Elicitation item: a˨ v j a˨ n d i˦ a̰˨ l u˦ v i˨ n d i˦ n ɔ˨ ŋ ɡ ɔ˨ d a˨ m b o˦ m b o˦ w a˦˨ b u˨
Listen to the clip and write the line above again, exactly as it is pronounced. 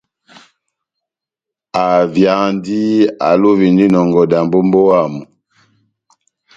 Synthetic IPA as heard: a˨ v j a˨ n d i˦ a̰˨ l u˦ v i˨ n d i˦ n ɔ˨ ŋ ɡ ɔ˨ d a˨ m b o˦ m b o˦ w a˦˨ m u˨